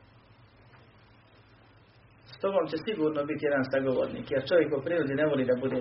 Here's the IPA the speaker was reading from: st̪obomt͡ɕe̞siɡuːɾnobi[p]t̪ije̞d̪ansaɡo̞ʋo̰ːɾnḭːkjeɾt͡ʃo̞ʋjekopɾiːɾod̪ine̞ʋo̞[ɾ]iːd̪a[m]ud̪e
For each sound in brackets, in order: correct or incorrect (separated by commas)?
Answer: incorrect, incorrect, incorrect